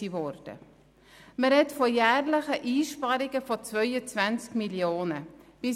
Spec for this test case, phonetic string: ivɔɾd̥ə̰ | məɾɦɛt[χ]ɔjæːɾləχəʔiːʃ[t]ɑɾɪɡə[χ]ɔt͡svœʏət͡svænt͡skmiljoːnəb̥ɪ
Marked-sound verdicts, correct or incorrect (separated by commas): incorrect, incorrect, incorrect